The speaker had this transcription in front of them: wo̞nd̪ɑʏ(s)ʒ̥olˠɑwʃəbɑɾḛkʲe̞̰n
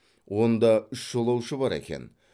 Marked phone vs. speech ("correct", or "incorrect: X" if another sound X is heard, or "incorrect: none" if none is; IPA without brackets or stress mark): incorrect: ʃ